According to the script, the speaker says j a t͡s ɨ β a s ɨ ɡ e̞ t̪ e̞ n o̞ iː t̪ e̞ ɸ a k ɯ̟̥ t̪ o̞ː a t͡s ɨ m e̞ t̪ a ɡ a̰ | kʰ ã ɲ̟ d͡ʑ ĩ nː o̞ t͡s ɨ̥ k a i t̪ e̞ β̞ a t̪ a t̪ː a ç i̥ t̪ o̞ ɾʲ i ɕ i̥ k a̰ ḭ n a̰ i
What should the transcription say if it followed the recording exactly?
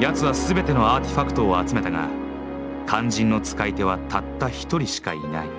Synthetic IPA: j a t͡s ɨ β a s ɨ b e̞ t̪ e̞ n o̞ aː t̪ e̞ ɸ a k ɯ̟̥ t̪ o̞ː a t͡s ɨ m e̞ t̪ a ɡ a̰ | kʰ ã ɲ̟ d͡ʑ ĩ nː o̞ t͡s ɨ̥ k a i t̪ e̞ β̞ a t̪ a t̪ː a ç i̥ t̪ o̞ ɾʲ i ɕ i̥ k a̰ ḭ n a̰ i